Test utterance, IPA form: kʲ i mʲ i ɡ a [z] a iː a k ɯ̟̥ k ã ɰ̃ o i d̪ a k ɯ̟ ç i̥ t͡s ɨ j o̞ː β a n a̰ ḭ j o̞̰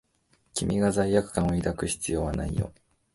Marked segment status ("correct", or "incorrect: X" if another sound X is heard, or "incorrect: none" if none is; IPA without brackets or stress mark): correct